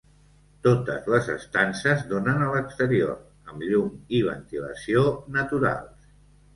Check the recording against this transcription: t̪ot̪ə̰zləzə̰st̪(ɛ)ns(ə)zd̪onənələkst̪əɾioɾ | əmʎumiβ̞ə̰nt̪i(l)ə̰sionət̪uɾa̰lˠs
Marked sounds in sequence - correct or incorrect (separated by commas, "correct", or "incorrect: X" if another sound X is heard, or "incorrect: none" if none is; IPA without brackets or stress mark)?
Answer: incorrect: a, correct, correct